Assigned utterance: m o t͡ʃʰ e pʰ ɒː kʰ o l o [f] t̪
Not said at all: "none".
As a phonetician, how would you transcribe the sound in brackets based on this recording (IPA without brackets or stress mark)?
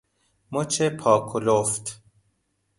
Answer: f